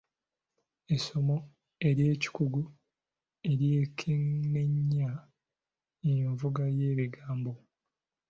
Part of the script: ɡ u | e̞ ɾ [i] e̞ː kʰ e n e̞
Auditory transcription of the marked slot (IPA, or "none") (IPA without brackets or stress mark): j